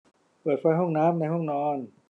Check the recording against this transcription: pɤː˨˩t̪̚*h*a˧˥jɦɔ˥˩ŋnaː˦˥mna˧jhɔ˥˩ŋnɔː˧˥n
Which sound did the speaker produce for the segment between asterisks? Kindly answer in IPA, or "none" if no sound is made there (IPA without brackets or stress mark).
f